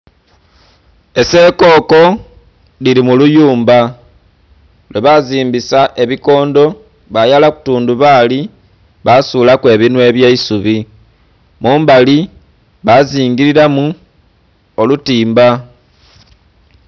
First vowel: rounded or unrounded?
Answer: unrounded